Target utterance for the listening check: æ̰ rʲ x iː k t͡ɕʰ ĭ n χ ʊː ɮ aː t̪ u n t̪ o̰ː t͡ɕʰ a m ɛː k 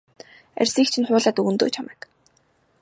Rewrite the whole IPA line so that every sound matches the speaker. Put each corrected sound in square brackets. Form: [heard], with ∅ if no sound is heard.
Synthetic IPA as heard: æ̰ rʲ [s] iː k t͡ɕʰ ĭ n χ ʊː ɮ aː t̪ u n t̪ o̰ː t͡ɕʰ a m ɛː k